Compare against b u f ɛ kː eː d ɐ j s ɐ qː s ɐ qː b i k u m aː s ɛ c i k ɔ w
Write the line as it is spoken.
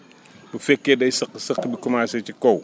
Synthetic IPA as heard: b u f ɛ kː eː d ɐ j s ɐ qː s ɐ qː b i k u m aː s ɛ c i k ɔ w

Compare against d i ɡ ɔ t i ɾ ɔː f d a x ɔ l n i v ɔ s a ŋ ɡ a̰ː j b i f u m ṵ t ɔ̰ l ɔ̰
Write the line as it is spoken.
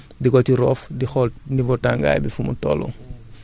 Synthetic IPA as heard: d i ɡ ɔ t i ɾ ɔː f d i x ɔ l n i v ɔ t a ŋ ɡ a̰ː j b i f u m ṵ t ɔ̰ l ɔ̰

